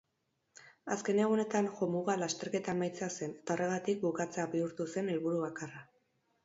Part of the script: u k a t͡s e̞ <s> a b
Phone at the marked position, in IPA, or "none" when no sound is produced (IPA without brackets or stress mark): none